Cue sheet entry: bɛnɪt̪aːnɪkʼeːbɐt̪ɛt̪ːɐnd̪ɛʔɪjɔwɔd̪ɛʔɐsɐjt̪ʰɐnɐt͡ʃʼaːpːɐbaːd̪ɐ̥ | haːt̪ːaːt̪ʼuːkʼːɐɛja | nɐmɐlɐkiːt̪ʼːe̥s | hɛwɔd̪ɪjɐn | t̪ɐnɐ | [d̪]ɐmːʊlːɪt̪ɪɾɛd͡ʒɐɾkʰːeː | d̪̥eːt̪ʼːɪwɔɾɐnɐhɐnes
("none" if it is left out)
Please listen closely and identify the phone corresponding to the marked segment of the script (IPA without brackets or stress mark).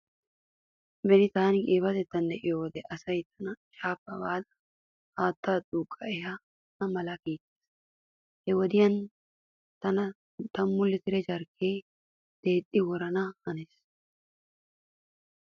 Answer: t̪